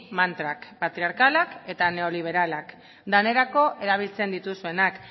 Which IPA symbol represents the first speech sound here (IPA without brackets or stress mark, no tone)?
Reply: m